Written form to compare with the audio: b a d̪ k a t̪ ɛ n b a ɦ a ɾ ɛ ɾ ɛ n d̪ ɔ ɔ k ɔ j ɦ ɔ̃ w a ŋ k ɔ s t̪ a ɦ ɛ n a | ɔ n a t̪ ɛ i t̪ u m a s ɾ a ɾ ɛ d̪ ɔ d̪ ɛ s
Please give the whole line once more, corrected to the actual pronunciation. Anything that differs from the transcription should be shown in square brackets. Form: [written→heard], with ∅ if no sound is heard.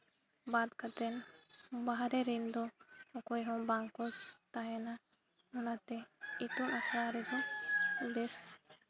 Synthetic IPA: b a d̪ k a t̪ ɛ n b a ɦ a ɾ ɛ ɾ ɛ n d̪ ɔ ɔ k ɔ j ɦ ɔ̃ [w→b] a ŋ k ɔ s t̪ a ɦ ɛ n a | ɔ n a t̪ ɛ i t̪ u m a s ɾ a ɾ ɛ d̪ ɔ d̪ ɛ s